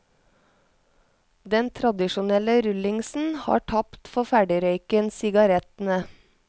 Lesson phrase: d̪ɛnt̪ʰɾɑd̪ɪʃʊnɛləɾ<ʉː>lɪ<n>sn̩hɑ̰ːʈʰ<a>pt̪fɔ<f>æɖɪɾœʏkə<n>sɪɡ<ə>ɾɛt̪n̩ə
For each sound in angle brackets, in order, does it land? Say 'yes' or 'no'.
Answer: no, no, no, yes, yes, no

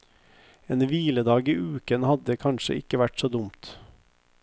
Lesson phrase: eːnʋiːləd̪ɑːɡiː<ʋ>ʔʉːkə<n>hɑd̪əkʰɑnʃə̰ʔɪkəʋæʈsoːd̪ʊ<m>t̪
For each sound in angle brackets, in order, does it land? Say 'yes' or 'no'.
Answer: no, yes, yes

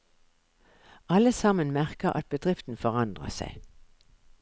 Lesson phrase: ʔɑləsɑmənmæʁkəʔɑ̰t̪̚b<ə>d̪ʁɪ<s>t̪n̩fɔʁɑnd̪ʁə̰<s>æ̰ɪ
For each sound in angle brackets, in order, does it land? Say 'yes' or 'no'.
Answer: yes, no, yes

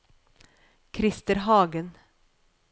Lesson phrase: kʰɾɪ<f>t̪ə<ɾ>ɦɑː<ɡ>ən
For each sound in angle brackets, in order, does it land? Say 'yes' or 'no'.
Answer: no, yes, yes

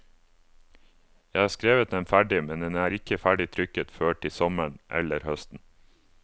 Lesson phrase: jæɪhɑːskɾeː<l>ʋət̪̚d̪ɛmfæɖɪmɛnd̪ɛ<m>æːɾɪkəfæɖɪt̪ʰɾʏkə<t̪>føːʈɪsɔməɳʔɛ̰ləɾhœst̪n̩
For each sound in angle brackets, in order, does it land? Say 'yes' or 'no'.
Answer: no, no, yes

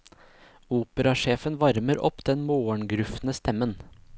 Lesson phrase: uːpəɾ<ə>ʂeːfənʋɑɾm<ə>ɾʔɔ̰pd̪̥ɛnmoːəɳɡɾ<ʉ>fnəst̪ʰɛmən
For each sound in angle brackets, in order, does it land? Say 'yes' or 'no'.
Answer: no, yes, yes

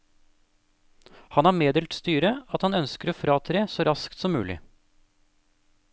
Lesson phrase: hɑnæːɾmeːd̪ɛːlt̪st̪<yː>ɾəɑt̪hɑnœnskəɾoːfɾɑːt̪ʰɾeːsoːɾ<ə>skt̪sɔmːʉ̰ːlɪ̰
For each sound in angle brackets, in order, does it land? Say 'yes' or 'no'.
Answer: yes, no

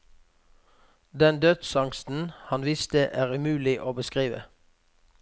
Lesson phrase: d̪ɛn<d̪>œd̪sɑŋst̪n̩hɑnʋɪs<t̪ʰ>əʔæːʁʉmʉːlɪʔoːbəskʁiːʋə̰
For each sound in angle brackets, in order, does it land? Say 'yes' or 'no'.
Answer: yes, no

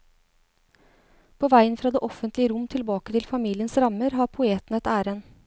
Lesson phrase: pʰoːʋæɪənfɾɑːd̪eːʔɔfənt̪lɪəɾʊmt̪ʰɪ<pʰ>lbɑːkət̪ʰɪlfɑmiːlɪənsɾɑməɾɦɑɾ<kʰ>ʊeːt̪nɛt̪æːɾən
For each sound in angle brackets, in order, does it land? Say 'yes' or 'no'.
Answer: no, no

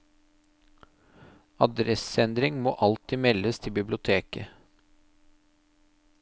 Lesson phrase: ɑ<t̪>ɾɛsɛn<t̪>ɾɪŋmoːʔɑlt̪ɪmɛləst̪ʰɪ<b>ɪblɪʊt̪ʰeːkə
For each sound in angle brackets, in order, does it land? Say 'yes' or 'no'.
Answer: no, no, yes

